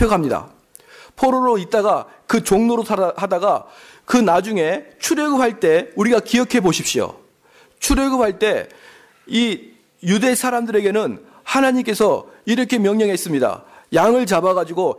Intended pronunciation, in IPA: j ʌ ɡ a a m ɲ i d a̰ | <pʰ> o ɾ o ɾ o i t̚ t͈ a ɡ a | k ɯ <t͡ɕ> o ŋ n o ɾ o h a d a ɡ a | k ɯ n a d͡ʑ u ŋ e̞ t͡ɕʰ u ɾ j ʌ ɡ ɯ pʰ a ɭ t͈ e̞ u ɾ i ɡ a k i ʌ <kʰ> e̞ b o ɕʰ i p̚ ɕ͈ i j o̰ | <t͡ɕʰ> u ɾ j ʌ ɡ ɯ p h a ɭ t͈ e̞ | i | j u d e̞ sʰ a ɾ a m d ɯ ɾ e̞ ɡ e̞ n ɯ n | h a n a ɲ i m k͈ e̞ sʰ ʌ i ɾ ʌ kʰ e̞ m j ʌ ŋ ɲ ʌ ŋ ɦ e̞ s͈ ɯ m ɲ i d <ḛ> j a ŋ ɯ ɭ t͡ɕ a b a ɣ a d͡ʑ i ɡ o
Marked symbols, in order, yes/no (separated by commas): yes, yes, yes, yes, no